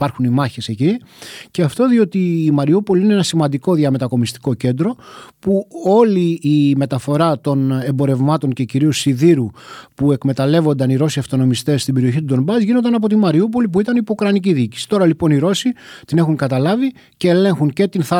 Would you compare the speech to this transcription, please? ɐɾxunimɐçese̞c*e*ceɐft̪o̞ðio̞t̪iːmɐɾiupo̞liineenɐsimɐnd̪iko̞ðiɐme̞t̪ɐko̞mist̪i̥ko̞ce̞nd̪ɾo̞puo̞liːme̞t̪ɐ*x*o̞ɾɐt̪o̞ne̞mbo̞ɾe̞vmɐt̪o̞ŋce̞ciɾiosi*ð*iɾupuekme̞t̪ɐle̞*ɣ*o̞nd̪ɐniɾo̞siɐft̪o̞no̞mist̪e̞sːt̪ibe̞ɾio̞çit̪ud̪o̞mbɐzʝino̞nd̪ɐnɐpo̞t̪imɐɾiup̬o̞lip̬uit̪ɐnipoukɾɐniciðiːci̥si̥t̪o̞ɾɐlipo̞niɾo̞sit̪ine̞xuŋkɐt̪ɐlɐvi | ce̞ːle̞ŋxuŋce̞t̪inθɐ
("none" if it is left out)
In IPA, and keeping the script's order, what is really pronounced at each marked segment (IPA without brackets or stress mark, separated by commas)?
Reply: i, f, ð, v